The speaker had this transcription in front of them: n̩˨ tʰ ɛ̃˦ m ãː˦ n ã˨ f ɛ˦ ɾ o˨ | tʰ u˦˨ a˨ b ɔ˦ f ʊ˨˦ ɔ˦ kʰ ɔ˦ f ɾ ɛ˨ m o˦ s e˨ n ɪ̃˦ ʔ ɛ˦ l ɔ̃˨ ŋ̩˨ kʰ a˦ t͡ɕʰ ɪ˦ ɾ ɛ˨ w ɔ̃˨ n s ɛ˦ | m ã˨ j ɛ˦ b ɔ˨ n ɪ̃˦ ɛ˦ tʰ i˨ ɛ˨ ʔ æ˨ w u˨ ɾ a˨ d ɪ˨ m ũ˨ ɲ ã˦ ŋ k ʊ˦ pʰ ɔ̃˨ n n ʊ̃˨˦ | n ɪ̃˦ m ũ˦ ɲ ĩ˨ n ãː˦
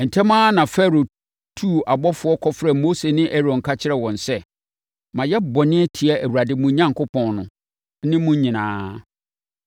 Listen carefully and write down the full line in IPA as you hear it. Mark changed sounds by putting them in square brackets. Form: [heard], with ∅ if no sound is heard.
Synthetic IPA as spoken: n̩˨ tʰ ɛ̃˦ m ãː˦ n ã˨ f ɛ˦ ɾ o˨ | tʰ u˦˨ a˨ b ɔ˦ f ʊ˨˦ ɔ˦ kʰ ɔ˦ f ɾ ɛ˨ m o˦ s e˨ n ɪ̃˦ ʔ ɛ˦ [ɾ] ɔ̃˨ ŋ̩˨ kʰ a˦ t͡ɕʰ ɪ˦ ɾ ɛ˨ w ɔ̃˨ n s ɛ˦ | m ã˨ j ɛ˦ b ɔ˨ n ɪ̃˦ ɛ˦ tʰ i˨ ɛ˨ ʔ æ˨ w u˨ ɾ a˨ d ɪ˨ m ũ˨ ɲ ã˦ ŋ k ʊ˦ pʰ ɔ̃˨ n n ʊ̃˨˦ | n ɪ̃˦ m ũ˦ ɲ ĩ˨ n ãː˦